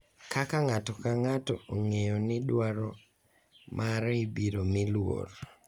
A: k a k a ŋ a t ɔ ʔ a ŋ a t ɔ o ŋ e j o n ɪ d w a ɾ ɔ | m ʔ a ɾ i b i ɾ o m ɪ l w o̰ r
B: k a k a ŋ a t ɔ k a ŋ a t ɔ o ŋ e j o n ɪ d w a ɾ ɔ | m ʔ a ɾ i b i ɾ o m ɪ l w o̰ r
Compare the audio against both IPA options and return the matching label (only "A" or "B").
B